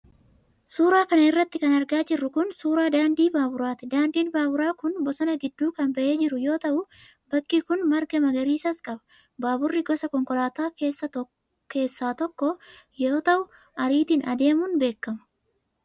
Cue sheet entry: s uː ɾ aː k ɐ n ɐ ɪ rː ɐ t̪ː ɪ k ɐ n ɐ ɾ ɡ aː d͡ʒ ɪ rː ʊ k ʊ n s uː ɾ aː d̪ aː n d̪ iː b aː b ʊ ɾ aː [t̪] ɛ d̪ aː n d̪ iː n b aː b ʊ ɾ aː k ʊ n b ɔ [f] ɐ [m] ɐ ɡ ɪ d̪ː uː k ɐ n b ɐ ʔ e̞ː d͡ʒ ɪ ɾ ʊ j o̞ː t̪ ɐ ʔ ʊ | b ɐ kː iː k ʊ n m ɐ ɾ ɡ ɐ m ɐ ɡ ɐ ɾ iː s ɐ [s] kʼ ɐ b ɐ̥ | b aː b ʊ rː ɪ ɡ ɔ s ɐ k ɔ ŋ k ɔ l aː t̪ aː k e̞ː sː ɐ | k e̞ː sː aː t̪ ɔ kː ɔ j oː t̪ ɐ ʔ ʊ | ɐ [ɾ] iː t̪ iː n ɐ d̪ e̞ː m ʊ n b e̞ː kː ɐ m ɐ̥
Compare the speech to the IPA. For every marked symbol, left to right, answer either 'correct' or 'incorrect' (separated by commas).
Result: correct, incorrect, incorrect, correct, correct